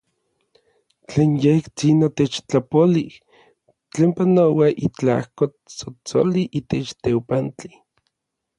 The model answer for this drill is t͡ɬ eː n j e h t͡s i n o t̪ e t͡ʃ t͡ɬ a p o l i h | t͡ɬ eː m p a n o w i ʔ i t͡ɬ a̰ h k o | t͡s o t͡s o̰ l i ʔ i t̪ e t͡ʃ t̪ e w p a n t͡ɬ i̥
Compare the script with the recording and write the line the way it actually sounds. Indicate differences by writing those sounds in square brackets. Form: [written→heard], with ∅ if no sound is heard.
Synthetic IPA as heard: t͡ɬ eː n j e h t͡s i n o t̪ e t͡ʃ t͡ɬ a p o l i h | t͡ɬ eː m p a n o w [i→a] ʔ i t͡ɬ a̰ h k o | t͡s o t͡s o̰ l i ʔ i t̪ e t͡ʃ t̪ e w p a n t͡ɬ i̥